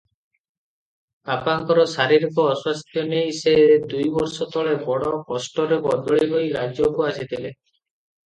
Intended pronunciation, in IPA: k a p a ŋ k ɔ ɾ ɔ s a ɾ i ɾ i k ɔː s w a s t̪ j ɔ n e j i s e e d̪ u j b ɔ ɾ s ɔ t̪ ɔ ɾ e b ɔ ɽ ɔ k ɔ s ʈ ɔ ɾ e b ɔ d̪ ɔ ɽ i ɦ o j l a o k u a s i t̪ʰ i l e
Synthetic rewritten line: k a p a ŋ k ɔ ɾ ɔ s a ɾ i ɾ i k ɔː s w a s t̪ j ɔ n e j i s e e d̪ u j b ɔ ɾ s ɔ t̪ ɔ ɭ e b ɔ ɽ ɔ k ɔ s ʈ ɔ ɾ e b ɔ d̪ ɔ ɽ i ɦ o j l a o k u a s i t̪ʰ i l e